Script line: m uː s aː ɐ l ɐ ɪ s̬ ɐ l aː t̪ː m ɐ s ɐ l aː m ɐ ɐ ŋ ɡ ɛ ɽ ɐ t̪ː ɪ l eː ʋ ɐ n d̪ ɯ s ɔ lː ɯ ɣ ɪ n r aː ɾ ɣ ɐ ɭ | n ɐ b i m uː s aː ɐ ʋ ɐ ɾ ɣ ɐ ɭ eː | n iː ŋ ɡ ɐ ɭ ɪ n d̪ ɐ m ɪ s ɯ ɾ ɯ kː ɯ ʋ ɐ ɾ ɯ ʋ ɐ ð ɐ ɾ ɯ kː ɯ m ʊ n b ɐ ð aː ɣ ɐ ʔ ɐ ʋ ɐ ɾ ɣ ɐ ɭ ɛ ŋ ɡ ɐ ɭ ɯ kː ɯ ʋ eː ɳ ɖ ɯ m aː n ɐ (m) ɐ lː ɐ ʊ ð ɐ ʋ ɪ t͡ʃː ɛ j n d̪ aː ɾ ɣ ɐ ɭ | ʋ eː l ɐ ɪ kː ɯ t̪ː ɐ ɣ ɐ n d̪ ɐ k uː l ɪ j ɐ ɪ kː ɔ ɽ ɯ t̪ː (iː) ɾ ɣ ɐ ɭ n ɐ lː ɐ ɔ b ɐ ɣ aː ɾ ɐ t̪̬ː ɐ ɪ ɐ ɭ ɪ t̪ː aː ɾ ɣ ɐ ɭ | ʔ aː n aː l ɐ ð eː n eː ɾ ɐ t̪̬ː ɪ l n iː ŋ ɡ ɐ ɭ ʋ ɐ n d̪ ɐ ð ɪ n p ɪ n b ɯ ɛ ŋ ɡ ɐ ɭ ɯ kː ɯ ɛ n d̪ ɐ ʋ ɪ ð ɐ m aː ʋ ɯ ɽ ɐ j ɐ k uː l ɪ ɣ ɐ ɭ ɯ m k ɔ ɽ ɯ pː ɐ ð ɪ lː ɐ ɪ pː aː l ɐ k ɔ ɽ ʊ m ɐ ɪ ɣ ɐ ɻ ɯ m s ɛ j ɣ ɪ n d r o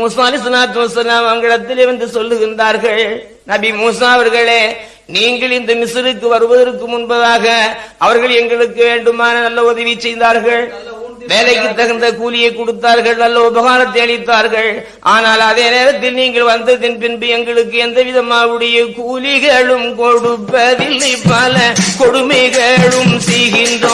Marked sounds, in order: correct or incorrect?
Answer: incorrect, incorrect

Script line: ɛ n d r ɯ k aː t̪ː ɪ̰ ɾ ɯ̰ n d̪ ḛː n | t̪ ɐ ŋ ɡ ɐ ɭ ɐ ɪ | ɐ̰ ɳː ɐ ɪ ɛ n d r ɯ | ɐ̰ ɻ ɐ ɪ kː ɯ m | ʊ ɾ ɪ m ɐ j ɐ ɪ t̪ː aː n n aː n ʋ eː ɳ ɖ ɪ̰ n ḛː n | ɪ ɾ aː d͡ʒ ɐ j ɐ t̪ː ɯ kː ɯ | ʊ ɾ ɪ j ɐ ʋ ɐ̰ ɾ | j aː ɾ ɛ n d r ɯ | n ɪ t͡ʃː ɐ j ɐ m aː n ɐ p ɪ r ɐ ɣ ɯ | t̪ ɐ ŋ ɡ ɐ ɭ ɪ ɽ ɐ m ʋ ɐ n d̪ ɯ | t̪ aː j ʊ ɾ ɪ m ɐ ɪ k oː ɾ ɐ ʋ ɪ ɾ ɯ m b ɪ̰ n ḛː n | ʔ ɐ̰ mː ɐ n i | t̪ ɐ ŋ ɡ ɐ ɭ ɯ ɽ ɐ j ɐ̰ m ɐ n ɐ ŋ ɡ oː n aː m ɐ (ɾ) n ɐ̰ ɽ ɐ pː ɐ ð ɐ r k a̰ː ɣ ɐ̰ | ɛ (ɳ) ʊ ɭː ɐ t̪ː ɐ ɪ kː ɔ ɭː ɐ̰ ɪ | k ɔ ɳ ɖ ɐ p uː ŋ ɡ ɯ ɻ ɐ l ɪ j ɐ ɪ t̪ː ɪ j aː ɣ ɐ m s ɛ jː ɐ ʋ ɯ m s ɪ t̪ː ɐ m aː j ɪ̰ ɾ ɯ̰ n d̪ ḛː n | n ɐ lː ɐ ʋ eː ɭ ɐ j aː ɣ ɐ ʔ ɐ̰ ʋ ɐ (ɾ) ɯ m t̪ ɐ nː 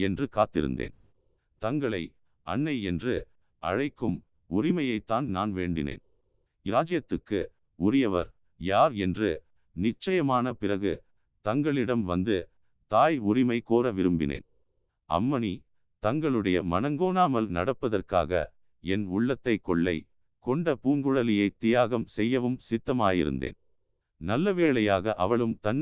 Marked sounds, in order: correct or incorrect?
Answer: incorrect, incorrect, incorrect

